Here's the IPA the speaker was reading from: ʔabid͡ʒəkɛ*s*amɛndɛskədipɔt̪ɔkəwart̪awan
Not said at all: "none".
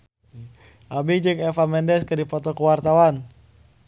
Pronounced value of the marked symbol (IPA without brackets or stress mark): f